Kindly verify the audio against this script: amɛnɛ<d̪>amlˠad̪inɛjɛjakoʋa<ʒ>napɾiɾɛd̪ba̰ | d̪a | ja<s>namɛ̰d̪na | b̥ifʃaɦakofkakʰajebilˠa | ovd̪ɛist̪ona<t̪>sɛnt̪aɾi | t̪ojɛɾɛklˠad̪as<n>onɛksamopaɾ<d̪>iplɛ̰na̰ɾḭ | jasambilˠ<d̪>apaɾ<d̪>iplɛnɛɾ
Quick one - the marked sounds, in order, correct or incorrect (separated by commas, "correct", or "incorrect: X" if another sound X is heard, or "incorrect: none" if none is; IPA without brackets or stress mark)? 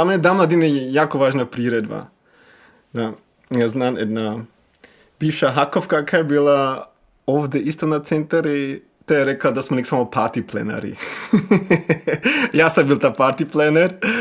correct, correct, incorrect: z, correct, incorrect: m, incorrect: t̪, incorrect: t̪, incorrect: t̪